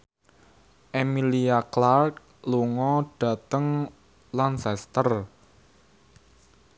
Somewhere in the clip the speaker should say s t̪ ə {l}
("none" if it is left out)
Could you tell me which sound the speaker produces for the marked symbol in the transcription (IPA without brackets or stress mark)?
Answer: r